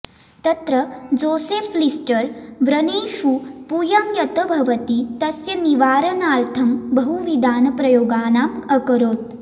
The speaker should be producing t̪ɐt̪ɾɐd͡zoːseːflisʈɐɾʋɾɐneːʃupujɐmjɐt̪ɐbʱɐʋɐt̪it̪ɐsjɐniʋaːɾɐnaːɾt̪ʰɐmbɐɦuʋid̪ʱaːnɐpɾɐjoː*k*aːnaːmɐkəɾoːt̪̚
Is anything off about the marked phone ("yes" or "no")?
yes